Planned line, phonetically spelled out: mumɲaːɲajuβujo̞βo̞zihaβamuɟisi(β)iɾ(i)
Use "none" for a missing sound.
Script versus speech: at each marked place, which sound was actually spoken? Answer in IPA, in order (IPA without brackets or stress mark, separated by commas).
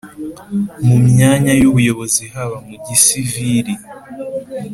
v, i